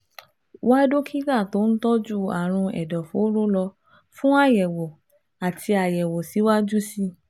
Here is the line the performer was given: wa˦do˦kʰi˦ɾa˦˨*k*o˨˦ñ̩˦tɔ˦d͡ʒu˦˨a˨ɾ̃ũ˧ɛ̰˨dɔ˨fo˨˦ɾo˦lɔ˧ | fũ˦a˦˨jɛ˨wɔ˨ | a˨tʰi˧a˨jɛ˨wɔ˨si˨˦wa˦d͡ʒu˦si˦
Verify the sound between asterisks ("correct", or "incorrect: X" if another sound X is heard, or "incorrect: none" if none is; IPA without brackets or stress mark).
incorrect: t